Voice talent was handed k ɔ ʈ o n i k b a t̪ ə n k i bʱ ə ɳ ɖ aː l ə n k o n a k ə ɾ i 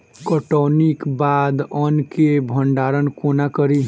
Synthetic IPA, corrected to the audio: k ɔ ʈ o n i k b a d̪ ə n k e bʱ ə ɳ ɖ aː ɾ ə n k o n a k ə ɾ i